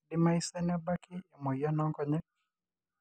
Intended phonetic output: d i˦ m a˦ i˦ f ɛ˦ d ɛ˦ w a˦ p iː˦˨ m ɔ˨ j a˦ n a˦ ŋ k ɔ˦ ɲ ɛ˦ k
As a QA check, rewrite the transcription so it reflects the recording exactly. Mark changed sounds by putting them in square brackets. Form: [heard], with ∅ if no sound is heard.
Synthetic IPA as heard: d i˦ m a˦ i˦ [s] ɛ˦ [n] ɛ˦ [b] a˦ [k] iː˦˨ m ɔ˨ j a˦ n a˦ ŋ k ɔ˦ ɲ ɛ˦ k